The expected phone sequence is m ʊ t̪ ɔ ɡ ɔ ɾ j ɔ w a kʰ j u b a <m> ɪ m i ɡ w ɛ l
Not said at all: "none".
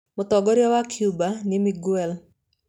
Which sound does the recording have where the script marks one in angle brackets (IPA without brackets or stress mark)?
n